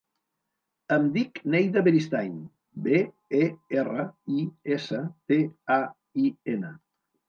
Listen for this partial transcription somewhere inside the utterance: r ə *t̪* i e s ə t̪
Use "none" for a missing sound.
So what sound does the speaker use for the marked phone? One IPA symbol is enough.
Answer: none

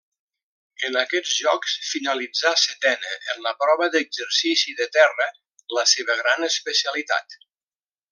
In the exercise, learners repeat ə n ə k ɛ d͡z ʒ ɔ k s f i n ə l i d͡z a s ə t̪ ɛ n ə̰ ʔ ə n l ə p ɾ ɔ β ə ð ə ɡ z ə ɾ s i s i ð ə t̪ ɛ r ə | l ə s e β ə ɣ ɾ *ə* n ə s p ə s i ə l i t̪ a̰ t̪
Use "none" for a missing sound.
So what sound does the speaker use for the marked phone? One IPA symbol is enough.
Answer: a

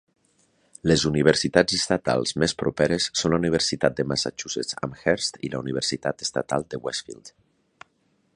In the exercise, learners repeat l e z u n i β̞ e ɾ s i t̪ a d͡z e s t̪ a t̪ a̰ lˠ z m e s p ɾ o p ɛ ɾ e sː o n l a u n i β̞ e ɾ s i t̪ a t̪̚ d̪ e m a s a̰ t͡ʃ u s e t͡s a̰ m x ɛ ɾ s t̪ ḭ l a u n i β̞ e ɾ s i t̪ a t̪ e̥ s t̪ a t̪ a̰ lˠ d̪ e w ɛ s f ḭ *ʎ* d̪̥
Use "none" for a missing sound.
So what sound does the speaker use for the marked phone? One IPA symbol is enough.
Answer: l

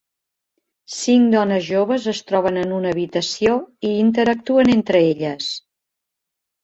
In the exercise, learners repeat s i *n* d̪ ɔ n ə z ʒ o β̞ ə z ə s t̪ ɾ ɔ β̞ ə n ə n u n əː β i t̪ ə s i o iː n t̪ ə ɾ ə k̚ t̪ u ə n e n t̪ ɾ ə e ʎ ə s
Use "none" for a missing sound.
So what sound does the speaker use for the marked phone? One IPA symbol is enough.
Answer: ŋ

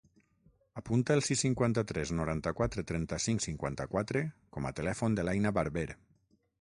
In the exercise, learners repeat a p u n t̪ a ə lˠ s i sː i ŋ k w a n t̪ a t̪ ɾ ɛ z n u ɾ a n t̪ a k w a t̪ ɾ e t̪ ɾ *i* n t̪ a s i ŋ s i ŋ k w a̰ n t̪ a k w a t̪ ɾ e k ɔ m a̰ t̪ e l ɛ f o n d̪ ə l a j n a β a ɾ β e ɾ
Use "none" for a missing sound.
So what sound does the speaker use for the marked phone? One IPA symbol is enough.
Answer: ɛ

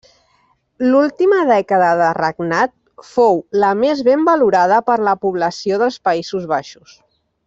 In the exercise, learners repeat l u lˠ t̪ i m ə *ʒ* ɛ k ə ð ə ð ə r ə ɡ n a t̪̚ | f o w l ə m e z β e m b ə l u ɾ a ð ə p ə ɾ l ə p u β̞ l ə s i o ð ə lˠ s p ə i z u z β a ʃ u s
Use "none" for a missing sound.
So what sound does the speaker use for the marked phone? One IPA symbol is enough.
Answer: ð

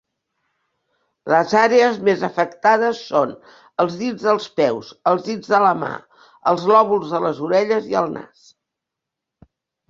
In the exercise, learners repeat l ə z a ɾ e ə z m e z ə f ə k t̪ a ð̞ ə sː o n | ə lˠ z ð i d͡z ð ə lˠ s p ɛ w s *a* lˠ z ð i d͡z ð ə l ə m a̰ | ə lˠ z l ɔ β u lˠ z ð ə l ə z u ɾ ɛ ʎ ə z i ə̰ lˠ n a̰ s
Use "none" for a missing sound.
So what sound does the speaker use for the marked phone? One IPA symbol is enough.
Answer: ə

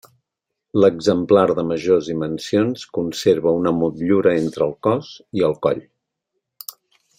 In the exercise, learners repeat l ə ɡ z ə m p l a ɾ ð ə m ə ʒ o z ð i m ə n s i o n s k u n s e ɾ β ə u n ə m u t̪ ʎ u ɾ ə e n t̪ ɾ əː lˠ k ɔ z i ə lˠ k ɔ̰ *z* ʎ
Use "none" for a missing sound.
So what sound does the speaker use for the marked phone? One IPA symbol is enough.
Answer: none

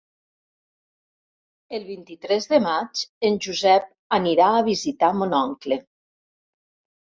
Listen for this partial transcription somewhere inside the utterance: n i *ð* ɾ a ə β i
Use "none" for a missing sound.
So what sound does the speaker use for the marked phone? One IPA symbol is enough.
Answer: none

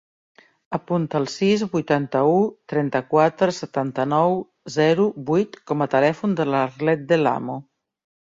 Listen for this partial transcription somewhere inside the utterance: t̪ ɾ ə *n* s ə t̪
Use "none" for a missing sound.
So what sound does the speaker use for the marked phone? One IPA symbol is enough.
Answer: none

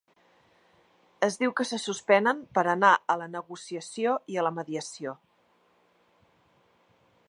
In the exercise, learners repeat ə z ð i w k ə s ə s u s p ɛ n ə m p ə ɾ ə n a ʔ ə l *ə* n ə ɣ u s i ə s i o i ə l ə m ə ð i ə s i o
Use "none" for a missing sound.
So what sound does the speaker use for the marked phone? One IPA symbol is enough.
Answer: ə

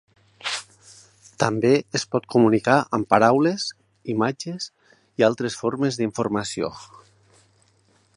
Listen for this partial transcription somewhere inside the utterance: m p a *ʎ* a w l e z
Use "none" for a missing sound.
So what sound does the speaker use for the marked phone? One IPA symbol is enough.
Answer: ɾ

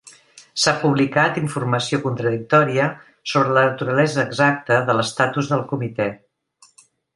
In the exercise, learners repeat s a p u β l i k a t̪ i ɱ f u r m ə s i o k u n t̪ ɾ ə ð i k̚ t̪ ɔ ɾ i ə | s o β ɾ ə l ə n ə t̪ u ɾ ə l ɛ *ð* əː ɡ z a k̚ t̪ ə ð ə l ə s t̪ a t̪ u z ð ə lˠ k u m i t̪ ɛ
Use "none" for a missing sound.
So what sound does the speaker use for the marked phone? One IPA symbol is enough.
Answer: z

